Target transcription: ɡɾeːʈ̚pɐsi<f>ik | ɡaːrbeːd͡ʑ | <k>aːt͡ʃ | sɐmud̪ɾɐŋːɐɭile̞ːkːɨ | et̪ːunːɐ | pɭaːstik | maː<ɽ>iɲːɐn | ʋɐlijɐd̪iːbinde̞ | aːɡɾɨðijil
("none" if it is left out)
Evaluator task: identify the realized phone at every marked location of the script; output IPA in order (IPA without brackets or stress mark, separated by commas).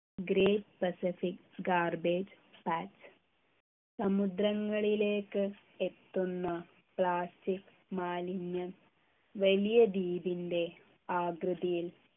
f, p, l